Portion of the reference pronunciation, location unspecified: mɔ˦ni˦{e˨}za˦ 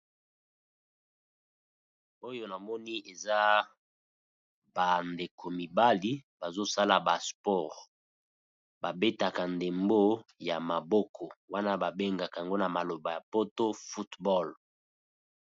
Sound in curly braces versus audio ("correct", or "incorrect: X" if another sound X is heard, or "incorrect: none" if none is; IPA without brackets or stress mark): correct